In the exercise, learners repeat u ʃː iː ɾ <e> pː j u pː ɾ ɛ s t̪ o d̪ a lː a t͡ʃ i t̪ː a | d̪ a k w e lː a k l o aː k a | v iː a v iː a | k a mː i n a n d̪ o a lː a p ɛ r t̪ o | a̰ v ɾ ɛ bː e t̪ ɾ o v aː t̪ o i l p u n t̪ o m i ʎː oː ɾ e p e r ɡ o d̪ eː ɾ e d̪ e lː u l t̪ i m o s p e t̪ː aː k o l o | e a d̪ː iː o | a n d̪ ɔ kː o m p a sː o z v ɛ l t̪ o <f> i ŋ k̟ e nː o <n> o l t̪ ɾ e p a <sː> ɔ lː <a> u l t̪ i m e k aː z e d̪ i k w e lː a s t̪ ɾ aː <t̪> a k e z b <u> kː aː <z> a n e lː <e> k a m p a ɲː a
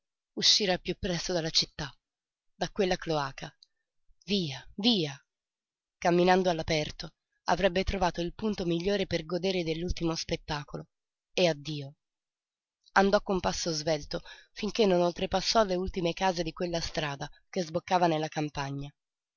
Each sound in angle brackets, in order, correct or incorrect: incorrect: a, correct, correct, correct, incorrect: e, incorrect: d̪, incorrect: o, incorrect: v, incorrect: a

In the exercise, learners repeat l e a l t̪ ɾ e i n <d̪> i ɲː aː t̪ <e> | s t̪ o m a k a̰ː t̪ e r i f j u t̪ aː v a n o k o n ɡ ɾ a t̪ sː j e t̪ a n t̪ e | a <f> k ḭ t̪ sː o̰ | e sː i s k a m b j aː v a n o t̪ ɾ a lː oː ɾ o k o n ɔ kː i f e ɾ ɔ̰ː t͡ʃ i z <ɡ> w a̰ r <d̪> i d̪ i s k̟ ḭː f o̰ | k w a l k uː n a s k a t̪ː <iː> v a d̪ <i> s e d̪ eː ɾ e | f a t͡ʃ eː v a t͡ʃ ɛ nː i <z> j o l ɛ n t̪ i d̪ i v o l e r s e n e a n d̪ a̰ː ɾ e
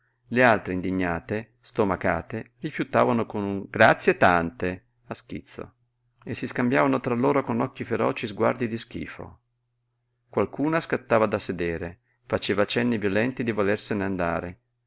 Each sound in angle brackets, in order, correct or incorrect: correct, correct, incorrect: s, correct, correct, incorrect: aː, incorrect: a, incorrect: v

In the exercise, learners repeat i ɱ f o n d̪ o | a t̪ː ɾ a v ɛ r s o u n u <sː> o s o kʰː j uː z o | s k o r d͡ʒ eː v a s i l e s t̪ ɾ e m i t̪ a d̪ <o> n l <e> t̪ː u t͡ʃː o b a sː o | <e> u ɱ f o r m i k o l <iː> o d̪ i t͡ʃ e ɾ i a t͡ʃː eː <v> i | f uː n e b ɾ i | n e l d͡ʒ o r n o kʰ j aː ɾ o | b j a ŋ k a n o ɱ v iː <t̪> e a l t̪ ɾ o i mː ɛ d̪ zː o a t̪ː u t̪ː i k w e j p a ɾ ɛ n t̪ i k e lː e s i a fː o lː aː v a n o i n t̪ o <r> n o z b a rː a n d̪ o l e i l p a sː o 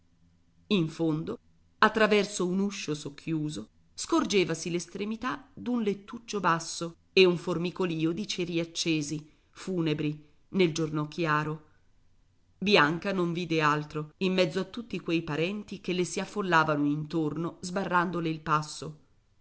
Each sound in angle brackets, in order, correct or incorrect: incorrect: ʃː, incorrect: u, correct, correct, correct, incorrect: z, incorrect: d̪, correct

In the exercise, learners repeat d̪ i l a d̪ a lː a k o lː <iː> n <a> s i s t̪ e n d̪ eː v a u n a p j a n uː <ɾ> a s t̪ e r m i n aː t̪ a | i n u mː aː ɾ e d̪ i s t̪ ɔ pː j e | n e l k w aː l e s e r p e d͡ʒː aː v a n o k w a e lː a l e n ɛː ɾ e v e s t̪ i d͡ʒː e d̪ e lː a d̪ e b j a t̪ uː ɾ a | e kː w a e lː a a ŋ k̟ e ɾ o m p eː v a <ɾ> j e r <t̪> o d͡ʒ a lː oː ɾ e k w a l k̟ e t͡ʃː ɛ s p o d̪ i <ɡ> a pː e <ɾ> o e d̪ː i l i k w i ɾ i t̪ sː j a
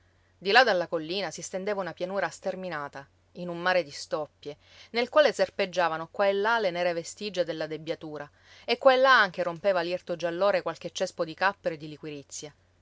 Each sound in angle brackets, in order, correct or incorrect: correct, correct, correct, incorrect: l, correct, incorrect: k, correct

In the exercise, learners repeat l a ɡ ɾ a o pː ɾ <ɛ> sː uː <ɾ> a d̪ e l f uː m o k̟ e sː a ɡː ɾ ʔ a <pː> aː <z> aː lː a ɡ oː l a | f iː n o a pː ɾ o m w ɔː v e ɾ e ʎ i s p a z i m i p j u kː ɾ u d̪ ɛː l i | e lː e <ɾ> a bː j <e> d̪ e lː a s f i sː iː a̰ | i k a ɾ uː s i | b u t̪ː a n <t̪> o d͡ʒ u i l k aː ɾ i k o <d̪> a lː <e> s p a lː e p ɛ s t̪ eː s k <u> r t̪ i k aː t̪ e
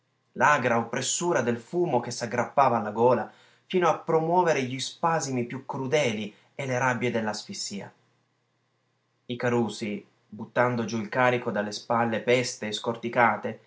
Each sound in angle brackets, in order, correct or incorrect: incorrect: e, correct, correct, incorrect: v, correct, correct, incorrect: d̪, correct, correct, incorrect: o

